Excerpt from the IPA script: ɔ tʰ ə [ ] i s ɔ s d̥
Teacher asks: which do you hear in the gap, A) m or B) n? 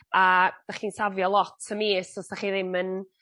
A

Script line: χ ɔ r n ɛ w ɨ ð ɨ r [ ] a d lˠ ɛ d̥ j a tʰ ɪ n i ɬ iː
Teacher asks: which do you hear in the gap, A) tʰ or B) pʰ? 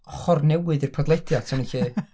B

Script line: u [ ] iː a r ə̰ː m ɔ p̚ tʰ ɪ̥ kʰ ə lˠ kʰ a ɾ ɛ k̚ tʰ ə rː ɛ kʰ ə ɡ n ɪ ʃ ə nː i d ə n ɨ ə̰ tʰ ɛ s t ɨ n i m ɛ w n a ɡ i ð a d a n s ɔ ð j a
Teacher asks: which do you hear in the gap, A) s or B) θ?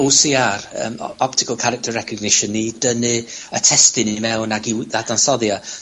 A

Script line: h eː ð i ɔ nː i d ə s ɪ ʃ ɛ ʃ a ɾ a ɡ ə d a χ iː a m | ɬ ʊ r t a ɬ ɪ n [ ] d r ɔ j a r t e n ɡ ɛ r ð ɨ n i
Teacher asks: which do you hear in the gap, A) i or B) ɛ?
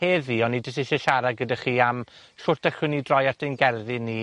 A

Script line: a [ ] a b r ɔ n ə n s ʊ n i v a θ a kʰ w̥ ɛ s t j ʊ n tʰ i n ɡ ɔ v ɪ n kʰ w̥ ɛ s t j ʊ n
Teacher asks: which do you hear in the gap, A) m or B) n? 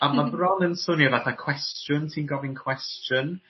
A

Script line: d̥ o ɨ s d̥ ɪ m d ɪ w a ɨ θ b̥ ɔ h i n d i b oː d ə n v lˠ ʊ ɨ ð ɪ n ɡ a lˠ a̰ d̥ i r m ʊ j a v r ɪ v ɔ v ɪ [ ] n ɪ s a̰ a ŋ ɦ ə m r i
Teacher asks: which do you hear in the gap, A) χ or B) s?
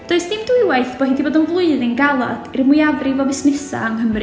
B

